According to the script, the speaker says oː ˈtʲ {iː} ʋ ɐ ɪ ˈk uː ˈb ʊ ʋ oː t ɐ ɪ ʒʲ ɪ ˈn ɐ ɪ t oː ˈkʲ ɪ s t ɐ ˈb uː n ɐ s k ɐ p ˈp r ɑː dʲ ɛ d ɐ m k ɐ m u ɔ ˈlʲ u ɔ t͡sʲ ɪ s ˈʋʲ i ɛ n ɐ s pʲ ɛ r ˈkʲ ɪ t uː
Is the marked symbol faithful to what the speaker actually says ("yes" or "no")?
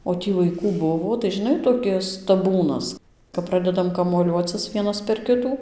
yes